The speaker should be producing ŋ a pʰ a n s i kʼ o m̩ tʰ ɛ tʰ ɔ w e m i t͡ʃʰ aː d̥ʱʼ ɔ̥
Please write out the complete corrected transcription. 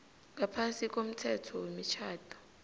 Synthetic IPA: ŋ a pʰ a n s i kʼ o m̩ tʰ ɛ tʰ ɔ w e m i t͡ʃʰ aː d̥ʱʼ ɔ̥